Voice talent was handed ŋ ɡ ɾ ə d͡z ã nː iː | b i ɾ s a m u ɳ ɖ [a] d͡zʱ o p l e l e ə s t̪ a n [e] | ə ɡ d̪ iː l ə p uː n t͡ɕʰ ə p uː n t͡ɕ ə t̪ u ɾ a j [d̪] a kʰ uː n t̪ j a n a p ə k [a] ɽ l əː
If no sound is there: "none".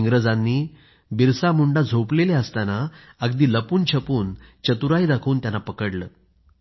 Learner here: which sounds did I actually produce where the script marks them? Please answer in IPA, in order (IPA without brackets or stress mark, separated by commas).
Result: a, a, d̪, ə